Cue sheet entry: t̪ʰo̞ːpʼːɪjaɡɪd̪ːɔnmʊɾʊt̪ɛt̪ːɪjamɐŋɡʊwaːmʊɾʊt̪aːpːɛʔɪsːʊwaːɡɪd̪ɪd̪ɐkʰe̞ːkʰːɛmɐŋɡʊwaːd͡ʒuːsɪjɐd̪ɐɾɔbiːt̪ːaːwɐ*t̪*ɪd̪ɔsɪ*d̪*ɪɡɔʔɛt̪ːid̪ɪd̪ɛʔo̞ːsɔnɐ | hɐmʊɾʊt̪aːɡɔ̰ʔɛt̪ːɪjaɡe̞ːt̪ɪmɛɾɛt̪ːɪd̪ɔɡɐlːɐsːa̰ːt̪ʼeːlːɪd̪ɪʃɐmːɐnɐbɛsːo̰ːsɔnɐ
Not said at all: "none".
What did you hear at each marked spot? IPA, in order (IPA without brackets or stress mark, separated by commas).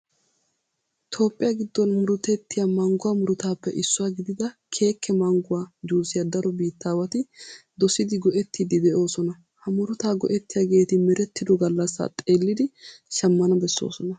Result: t̪, d̪